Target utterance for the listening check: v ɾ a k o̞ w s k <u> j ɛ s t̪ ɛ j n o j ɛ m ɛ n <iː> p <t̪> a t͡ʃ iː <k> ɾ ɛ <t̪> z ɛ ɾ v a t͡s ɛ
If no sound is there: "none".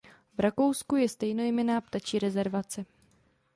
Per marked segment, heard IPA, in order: u, aː, t̪, none, none

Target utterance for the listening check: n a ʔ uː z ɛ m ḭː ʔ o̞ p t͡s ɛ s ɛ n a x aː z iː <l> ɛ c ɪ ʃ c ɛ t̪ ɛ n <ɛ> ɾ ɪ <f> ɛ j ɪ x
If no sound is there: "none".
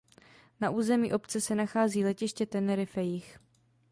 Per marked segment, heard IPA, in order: l, ɛ, f

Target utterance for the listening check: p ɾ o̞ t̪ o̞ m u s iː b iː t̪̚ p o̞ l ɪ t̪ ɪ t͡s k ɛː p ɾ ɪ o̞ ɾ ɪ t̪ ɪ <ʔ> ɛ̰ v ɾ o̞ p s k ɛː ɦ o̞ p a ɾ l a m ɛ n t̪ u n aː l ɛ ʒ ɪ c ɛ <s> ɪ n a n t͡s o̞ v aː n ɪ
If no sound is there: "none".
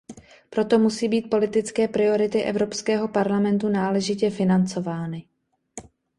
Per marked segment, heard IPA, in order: ʔ, f

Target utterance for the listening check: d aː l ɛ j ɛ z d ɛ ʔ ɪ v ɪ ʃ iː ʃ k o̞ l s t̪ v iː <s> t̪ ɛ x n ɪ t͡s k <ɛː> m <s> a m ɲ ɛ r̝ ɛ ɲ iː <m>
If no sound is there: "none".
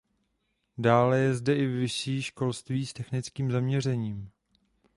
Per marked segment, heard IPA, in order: s, iː, z, m

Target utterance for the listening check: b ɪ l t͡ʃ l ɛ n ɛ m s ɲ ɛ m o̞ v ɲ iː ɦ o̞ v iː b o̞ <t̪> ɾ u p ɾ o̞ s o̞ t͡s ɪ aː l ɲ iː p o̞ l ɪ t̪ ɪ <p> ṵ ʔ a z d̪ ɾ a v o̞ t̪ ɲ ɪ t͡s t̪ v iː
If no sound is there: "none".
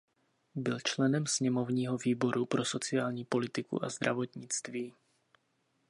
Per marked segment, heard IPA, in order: none, k

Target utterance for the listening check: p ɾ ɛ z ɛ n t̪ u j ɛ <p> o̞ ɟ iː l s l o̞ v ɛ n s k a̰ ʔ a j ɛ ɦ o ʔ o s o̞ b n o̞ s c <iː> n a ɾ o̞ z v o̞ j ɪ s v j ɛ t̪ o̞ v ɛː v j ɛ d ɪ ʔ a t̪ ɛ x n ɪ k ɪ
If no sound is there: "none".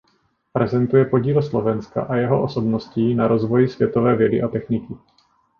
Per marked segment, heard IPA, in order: p, iː

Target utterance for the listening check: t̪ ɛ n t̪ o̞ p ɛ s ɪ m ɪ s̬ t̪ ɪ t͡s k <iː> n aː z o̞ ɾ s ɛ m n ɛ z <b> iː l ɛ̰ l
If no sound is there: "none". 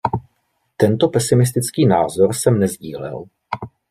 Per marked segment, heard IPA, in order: iː, ɟ

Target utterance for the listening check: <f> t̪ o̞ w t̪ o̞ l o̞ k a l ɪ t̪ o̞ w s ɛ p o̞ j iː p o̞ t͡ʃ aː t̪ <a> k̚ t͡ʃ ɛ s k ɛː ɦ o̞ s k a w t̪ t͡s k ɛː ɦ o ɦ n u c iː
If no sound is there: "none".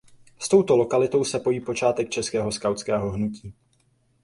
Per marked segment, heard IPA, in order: s, ɛ

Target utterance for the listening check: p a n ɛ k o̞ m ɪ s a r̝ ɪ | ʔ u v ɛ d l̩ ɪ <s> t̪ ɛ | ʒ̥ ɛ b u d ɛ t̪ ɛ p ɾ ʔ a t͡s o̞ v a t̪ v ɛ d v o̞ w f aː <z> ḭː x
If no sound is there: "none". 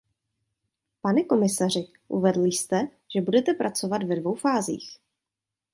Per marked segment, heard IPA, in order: s, z

